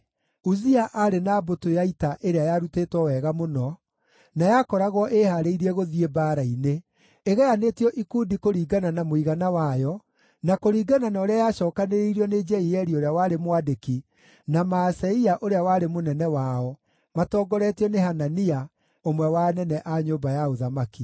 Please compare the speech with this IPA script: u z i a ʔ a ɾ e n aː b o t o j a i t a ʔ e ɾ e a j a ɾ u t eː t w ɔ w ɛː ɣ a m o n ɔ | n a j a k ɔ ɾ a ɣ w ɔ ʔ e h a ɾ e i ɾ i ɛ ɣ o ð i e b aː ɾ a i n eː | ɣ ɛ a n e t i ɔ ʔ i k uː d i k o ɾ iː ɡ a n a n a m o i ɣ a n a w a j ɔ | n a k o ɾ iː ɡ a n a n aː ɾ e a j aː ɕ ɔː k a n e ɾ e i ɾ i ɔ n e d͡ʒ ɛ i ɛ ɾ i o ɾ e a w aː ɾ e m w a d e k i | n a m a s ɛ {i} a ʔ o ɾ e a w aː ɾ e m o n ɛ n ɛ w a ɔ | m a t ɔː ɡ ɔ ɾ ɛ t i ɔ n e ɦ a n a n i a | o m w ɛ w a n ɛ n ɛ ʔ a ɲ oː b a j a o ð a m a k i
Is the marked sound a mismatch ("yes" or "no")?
no